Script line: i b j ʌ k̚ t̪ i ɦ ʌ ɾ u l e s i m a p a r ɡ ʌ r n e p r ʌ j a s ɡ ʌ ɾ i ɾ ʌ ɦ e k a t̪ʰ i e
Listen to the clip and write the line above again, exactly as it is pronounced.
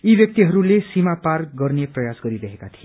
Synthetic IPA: i b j ʌ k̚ t̪ i ɦ ʌ ɾ u l e s i m a p a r ɡ ʌ r n e p r ʌ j a s ɡ ʌ ɾ i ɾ ʌ ɦ e k a t̪ʰ i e